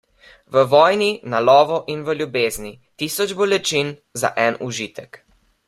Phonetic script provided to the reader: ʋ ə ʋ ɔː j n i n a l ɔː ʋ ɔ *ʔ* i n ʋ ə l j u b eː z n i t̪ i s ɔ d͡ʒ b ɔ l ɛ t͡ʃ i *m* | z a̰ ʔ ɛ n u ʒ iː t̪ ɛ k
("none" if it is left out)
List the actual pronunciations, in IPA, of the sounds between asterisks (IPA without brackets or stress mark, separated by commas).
ʔ, n